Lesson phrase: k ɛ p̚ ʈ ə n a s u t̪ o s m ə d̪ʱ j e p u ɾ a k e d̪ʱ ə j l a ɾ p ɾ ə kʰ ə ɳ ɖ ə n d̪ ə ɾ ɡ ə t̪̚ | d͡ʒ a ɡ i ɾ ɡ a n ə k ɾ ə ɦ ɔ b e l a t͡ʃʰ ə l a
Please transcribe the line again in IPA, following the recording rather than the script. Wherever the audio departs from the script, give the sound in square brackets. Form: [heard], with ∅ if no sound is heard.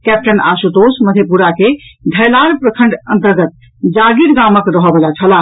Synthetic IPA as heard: k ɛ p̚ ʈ ə n a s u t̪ o s m ə d̪ʱ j e p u ɾ a k e d̪ʱ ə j l a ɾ p ɾ ə kʰ ə ɳ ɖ ə n [t̪] ə ɾ ɡ ə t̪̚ | d͡ʒ a ɡ i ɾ ɡ a [m] ə k ɾ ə ɦ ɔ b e l a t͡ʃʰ ə l a